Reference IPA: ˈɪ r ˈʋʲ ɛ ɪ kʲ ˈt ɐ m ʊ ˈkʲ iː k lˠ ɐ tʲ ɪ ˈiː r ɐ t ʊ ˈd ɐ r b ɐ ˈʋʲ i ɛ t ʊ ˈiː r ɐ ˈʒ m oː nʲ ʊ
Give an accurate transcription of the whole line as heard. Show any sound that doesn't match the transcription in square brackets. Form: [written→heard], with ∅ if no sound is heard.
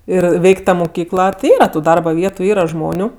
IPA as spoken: ˈɪ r ˈʋʲ ɛ ɪ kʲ ˈt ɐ m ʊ ˈkʲ iː k lˠ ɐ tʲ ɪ ˈiː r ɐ t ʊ ˈd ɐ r b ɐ ˈʋʲ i ɛ t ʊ ˈiː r ɐ ˈʒ m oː nʲ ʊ